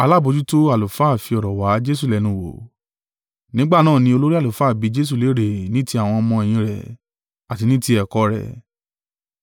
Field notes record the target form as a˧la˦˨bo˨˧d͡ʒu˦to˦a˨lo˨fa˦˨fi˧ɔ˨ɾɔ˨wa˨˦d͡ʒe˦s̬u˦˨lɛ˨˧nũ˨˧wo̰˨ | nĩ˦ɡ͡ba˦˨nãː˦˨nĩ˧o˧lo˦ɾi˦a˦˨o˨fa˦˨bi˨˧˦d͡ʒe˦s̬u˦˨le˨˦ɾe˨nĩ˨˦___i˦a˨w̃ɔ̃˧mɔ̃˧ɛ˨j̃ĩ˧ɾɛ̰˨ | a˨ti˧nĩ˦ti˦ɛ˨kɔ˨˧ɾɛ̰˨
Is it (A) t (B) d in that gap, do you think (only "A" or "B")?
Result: A